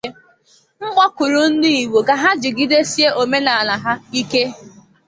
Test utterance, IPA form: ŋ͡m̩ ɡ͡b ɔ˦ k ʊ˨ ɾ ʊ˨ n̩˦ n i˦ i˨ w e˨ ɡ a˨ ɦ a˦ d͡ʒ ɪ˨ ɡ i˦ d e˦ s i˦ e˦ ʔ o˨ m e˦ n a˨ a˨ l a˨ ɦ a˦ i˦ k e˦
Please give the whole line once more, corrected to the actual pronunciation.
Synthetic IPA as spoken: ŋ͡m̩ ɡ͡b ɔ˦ k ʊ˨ ɾ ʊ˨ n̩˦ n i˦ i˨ w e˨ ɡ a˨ ɦ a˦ d͡ʒ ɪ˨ ɡ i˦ d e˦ s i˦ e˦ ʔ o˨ m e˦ n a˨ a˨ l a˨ ɦ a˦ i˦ k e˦